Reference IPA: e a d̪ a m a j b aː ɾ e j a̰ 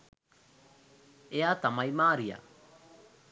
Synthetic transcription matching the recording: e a t̪ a m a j m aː ɾ i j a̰